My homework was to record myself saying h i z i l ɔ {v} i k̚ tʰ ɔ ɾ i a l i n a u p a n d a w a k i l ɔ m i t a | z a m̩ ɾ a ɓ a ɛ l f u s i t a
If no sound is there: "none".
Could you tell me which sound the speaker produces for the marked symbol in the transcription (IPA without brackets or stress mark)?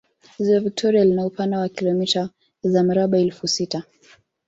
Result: v